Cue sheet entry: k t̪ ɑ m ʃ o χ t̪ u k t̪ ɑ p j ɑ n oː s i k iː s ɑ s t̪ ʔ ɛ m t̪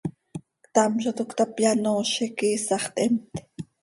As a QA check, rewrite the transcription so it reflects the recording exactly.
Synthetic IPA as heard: k t̪ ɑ m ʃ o t̪ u k t̪ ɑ p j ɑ n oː ʃ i k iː s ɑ χ t̪ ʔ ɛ m t̪